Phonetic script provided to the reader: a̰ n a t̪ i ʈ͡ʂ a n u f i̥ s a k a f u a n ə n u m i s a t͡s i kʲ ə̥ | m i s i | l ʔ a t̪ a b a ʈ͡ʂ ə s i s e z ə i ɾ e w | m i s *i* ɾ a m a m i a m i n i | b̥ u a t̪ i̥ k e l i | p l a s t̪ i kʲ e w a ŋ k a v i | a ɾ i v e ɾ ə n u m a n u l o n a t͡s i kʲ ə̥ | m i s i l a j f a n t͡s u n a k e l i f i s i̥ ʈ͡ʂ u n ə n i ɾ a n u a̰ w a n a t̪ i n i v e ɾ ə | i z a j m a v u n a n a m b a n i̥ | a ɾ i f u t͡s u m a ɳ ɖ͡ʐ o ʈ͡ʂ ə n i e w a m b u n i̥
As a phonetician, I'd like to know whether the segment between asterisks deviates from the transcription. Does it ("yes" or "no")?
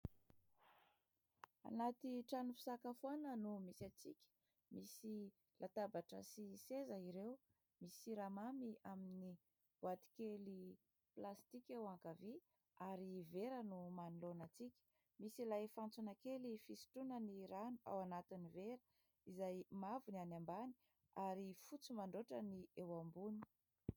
no